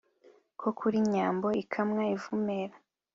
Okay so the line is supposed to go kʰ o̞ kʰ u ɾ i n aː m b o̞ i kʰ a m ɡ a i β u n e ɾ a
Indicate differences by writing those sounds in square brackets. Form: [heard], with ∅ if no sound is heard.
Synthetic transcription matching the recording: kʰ o̞ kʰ u ɾ i [ɲ] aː m b o̞ i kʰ a m [ŋ] a i [v] u [m] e ɾ a